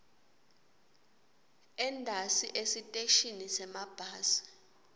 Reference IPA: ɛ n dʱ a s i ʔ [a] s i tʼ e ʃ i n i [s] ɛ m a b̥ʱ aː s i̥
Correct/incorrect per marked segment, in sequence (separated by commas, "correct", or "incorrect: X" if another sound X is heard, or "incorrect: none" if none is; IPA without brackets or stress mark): incorrect: e, correct